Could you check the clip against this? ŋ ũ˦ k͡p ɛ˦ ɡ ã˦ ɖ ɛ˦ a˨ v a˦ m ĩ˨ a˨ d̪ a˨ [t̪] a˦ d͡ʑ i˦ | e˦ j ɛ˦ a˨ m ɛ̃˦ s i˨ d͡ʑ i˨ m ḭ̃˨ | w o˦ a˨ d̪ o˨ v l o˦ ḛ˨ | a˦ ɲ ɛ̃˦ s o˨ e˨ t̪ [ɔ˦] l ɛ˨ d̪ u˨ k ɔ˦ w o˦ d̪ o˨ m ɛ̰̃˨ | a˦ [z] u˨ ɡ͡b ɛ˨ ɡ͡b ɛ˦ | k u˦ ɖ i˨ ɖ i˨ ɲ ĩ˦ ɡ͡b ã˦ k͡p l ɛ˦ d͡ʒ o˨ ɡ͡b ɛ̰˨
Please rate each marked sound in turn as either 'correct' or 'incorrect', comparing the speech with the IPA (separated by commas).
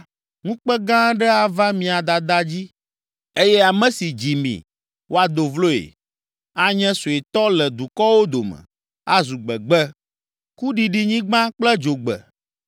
incorrect, correct, correct